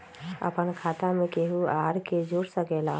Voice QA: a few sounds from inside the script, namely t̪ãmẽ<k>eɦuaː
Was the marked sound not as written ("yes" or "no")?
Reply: no